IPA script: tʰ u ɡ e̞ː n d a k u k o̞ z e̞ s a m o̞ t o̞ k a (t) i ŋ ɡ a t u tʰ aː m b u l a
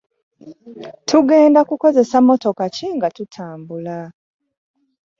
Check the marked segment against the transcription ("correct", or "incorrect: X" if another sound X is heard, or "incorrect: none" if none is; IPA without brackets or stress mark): incorrect: c